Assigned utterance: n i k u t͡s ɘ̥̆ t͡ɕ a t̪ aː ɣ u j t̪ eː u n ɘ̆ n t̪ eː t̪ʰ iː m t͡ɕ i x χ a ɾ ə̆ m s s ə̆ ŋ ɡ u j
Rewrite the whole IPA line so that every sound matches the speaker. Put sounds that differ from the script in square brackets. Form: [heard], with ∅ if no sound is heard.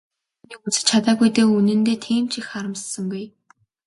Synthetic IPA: n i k u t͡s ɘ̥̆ [t͡ɕʰ] a t̪ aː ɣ u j t̪ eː u n ɘ̆ n t̪ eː t̪ʰ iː m t͡ɕ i x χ a ɾ ə̆ m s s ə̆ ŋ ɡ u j